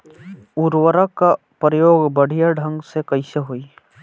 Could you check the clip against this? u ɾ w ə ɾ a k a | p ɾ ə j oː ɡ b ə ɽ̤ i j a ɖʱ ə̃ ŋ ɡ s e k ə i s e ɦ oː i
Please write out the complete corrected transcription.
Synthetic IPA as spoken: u ɾ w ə ɾ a k a | p ɾ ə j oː ɡ b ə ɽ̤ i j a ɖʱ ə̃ ŋ ɡ s e k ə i s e ɦ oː i